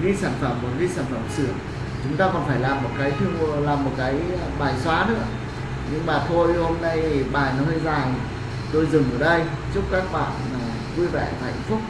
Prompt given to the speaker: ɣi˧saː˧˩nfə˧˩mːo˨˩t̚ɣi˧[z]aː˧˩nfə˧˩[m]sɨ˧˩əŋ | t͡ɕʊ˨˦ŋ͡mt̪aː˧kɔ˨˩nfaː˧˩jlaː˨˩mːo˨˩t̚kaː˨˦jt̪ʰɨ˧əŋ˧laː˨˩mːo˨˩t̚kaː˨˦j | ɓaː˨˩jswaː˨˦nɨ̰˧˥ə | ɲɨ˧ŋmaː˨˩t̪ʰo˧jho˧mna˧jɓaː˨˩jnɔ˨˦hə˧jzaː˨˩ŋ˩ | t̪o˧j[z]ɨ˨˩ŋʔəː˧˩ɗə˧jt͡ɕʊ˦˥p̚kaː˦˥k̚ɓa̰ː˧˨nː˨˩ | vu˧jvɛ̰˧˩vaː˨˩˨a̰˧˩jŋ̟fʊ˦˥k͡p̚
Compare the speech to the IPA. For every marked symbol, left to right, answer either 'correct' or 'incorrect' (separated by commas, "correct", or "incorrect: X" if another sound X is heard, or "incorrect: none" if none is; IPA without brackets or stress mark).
incorrect: s, correct, correct